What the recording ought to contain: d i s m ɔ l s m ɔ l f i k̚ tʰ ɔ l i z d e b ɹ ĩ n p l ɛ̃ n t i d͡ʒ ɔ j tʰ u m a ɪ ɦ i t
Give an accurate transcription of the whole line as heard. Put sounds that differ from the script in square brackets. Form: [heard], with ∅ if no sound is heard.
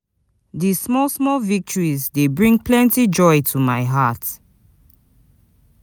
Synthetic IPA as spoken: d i s m ɔ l s m ɔ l [v] i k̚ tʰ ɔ [ɹ] i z d e b ɹ ĩ [ŋ] p l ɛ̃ n t i d͡ʒ ɔ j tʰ u m a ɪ ɦ [a] t